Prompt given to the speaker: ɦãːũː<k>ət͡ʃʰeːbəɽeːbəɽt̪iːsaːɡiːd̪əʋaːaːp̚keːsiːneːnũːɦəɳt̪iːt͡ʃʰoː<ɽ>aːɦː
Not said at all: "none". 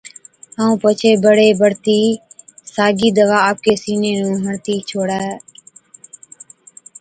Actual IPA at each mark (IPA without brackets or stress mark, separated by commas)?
p, ɽ